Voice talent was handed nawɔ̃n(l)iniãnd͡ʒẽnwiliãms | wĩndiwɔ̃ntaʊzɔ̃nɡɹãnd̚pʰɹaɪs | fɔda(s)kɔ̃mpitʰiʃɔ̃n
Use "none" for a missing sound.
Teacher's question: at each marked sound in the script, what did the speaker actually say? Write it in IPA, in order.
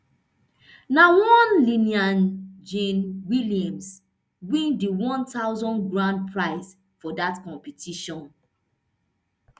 l, t

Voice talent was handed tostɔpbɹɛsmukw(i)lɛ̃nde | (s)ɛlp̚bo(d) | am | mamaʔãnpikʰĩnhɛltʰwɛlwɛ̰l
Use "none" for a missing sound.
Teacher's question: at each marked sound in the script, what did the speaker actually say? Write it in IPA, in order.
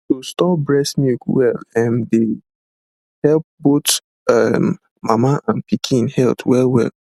ɛ, h, t

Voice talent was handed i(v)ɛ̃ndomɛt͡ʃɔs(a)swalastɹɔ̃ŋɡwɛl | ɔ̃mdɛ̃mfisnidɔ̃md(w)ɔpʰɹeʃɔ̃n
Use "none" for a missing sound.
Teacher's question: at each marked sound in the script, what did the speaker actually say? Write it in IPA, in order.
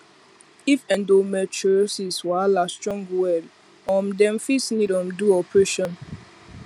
f, i, u

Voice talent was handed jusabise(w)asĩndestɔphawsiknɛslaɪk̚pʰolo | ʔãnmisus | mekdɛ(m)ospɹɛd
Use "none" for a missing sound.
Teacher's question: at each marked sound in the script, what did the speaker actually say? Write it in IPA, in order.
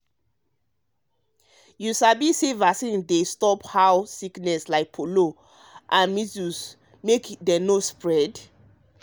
v, n

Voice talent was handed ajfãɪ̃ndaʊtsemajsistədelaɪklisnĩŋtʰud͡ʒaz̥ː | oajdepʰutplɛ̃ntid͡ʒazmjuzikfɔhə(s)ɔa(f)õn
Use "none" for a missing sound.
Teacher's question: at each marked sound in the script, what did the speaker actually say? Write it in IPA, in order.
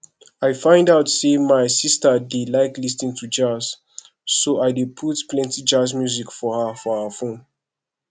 f, f

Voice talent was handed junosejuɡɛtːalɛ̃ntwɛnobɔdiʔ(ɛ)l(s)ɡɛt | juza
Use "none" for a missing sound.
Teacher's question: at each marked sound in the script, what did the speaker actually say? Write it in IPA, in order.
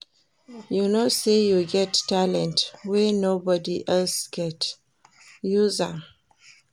ɛ, s

